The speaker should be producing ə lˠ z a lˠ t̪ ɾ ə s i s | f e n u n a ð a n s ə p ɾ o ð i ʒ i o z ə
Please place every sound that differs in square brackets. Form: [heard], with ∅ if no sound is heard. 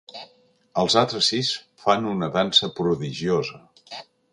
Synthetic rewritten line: ə lˠ z a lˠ t̪ ɾ ə s i s | f [a] n u n [ə] ð a n s ə p ɾ [u] ð i ʒ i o z ə